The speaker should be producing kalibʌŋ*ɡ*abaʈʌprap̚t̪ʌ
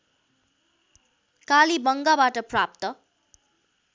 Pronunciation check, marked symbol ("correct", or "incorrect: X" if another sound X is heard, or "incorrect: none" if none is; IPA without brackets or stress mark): correct